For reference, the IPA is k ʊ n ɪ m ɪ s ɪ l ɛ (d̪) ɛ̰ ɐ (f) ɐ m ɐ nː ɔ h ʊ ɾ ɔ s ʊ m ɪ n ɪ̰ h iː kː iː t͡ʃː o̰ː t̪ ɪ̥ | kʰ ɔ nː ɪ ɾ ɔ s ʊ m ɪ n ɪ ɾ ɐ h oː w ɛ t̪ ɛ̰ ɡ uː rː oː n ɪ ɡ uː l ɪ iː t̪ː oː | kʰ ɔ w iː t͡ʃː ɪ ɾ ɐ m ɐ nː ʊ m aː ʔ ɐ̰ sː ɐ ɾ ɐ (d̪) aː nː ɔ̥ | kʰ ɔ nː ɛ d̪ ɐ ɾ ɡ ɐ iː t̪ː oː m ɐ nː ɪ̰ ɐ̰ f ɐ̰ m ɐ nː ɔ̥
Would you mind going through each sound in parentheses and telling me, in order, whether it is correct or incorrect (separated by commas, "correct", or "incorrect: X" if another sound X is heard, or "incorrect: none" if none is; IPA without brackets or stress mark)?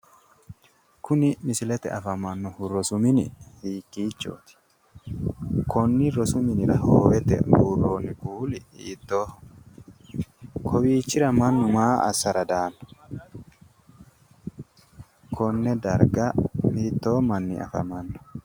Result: incorrect: t̪, correct, correct